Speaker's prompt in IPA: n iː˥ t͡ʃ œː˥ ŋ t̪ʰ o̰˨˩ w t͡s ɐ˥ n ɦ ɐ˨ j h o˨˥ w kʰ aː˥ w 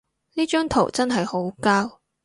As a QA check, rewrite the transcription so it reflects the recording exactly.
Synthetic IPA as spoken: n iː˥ t͡ʃ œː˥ ŋ t̪ʰ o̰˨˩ w t͡s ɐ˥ n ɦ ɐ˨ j h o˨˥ w k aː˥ w